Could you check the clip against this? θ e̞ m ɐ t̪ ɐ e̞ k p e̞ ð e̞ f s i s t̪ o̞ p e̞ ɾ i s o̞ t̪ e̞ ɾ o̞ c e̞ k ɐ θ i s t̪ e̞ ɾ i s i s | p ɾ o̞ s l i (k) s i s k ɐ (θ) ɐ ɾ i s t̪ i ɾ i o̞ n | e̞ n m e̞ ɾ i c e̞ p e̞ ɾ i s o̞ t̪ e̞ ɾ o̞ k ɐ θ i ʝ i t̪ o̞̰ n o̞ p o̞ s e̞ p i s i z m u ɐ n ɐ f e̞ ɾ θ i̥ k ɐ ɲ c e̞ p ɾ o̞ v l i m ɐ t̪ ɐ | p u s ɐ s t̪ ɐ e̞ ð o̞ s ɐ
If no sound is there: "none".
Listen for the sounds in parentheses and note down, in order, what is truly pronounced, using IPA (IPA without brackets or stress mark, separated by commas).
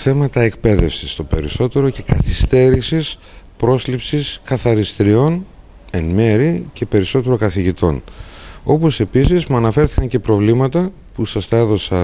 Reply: p, θ